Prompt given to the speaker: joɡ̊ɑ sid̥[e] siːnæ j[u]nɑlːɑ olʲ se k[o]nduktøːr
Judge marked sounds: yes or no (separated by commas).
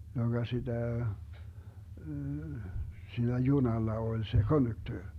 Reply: no, yes, yes